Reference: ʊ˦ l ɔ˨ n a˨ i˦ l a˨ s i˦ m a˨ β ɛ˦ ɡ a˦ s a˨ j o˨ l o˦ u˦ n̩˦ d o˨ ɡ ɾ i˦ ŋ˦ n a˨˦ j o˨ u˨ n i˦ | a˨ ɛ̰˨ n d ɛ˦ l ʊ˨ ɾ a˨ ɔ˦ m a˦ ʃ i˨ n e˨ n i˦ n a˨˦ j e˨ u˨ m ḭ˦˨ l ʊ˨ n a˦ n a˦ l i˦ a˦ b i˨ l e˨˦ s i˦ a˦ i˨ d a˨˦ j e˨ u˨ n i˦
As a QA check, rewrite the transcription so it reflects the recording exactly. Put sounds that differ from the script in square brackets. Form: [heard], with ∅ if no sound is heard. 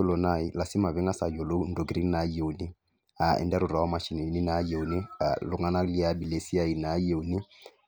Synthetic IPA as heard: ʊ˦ l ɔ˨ n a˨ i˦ l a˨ s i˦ m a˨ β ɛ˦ [ŋ] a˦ s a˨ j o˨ l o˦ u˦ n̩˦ d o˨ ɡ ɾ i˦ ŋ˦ n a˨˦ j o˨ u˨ n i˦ | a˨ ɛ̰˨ n d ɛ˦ [ɾ] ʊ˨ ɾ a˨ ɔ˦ m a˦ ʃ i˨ n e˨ n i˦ n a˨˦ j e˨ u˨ [n] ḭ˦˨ l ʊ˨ [ŋ] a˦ n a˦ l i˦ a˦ b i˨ l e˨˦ s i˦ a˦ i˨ [n] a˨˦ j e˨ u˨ n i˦